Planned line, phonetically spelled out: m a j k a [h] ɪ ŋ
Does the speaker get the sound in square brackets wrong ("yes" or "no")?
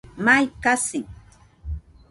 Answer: yes